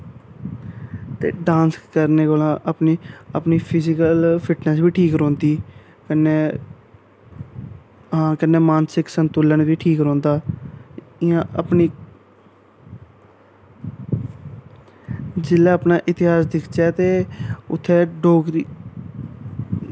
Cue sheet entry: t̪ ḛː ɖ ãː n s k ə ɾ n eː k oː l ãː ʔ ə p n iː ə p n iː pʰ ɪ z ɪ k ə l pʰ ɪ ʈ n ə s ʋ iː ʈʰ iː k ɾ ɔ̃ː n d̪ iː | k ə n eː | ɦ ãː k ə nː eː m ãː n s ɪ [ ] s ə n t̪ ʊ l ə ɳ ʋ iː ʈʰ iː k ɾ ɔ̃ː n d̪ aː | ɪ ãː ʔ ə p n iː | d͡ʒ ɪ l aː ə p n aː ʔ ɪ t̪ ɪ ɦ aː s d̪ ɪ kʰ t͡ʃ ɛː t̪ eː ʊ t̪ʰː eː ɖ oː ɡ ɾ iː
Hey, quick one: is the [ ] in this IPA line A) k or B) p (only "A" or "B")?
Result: A